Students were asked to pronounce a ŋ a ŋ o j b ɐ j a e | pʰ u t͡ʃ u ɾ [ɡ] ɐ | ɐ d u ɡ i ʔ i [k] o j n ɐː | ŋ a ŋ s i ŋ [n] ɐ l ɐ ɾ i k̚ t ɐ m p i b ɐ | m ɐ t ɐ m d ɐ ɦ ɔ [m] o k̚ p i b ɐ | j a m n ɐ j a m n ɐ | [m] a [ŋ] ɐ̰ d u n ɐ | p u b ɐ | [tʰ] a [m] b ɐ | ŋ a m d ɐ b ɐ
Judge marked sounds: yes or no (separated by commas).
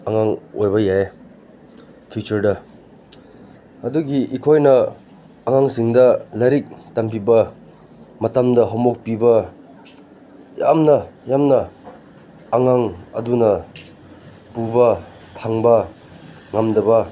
no, no, no, yes, no, yes, yes, no